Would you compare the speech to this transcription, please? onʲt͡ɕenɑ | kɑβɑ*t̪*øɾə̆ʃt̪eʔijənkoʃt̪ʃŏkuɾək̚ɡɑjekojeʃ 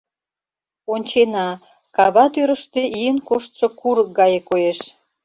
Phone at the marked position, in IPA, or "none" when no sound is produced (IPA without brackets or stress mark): t̪